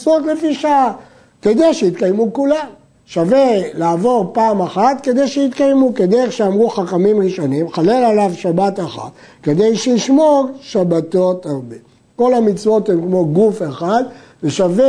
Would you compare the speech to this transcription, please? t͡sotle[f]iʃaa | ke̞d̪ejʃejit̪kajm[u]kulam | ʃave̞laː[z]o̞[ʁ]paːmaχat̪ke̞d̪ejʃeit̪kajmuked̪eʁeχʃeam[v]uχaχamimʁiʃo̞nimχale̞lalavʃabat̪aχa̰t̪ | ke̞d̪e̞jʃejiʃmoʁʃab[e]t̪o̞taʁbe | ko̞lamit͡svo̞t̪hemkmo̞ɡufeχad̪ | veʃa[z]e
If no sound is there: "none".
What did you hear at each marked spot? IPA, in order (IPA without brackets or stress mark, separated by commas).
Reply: f, u, v, ʁ, ʁ, a, v